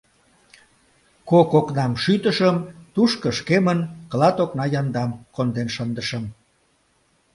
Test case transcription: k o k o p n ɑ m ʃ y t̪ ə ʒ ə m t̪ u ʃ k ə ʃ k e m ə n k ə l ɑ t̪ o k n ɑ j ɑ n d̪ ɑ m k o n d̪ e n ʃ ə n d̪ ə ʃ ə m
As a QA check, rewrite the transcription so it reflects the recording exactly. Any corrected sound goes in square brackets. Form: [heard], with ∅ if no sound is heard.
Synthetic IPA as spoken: k o k o [k] n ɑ m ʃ y t̪ ə [ʃ] ə m t̪ u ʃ k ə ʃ k e m ə n k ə l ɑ t̪ o k n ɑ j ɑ n d̪ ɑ m k o n d̪ e n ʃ ə n d̪ ə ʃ ə m